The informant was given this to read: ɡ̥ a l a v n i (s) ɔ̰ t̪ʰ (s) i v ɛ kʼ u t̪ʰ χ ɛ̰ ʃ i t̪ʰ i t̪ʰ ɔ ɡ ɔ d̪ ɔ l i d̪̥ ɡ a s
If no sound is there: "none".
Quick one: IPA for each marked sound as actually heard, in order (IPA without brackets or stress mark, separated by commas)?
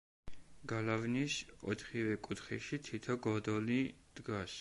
s, χ